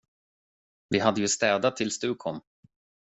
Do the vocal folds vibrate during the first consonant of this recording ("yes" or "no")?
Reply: yes